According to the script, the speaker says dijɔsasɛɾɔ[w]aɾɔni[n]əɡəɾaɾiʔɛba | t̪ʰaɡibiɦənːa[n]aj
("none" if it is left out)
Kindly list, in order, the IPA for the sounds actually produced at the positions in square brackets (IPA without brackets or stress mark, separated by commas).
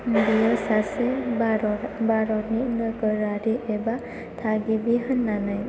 b, n, n